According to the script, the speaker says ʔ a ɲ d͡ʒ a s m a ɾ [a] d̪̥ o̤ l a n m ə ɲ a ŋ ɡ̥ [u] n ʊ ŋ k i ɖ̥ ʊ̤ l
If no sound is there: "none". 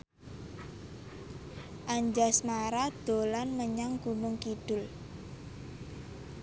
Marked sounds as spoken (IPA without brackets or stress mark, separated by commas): a, u